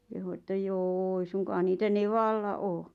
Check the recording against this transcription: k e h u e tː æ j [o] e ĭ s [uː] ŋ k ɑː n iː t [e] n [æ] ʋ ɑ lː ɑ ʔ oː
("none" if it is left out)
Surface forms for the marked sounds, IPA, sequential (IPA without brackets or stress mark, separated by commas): oː, u, æ, e